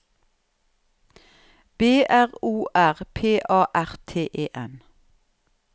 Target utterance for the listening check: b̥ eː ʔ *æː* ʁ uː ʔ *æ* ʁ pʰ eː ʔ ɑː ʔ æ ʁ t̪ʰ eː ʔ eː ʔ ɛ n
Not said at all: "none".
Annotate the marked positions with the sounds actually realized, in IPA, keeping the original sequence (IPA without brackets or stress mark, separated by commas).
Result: æ, æ